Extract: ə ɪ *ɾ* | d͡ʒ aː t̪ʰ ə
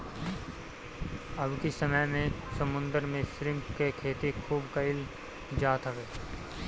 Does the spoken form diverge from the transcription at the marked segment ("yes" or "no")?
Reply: yes